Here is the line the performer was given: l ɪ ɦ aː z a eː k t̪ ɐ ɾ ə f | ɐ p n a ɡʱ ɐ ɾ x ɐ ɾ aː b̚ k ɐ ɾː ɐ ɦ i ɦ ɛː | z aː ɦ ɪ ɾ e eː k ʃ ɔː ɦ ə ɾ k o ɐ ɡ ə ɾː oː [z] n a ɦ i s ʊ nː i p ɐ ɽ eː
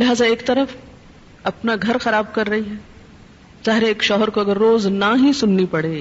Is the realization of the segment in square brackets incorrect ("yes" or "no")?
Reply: no